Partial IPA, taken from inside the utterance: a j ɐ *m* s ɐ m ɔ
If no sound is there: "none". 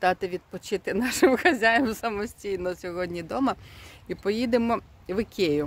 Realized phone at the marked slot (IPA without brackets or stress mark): m